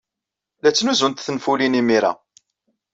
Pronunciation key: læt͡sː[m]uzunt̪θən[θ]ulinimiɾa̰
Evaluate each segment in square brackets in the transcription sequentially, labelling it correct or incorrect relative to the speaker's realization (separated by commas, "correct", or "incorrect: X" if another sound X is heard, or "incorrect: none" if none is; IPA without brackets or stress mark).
incorrect: n, incorrect: f